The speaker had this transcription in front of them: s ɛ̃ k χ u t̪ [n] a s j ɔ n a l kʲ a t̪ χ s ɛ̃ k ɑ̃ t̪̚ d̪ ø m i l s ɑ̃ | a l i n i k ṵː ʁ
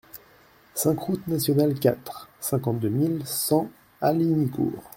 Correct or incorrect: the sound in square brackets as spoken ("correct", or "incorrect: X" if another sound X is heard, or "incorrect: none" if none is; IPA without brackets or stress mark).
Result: correct